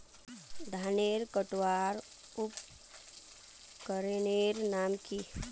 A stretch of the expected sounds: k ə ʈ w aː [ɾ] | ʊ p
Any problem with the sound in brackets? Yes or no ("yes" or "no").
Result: no